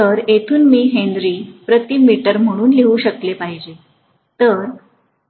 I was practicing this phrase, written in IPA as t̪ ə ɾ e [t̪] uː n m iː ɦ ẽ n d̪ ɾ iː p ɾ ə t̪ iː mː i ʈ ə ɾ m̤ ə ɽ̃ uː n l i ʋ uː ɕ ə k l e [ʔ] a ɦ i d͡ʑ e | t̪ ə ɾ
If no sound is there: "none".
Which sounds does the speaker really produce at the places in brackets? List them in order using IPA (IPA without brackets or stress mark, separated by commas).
t̪ʰ, p